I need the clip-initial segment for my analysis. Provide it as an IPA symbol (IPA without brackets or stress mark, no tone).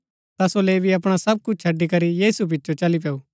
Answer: t̪